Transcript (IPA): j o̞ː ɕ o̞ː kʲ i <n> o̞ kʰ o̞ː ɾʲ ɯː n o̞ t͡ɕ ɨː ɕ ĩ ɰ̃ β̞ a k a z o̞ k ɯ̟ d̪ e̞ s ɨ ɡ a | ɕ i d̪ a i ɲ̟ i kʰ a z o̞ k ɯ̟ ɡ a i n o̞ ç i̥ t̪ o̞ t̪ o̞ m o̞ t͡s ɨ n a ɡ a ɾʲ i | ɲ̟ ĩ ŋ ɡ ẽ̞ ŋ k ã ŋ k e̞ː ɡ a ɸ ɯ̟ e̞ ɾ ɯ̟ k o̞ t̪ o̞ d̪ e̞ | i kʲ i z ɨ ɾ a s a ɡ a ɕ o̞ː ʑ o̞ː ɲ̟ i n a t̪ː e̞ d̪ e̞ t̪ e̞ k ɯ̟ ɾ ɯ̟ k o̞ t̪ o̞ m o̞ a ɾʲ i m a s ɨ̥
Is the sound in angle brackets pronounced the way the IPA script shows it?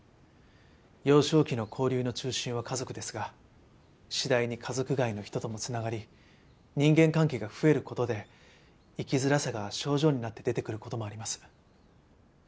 yes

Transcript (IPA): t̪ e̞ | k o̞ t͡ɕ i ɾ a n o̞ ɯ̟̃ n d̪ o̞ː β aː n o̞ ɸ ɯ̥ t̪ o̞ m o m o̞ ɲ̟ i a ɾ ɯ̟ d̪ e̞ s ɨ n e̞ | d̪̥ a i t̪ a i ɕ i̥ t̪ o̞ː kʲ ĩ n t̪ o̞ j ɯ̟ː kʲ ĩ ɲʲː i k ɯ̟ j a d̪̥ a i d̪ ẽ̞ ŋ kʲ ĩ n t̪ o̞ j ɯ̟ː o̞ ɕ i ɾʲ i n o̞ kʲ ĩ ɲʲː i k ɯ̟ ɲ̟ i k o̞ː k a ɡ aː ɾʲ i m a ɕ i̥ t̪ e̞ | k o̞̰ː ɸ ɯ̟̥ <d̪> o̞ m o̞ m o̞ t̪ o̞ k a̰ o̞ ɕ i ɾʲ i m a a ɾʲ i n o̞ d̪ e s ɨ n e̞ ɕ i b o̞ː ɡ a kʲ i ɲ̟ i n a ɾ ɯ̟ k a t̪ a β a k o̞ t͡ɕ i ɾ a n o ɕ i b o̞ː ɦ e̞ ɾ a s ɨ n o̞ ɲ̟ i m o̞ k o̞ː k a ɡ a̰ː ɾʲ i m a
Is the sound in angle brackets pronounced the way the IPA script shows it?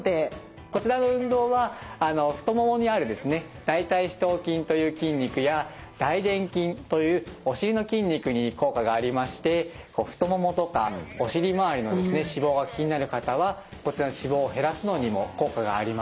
no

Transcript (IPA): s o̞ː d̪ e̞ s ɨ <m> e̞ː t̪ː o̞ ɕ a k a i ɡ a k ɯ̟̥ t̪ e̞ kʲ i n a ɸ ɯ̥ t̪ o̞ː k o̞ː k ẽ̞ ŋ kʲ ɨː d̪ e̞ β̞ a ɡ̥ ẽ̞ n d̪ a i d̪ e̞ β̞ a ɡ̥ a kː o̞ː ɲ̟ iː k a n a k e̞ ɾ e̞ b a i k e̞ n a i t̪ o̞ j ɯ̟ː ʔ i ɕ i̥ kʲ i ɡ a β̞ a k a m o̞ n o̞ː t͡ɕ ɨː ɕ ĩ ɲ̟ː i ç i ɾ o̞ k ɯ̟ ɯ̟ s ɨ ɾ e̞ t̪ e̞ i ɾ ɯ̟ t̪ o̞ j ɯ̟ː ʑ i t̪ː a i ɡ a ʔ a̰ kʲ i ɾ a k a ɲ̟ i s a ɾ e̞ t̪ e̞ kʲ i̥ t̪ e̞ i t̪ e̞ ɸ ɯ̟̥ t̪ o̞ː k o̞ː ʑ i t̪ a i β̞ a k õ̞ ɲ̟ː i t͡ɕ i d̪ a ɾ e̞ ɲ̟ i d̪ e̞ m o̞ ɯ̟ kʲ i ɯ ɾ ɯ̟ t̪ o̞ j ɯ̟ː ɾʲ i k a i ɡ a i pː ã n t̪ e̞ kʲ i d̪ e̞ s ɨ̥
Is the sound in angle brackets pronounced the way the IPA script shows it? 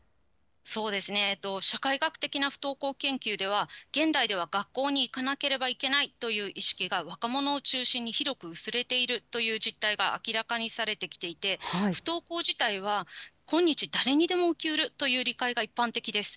no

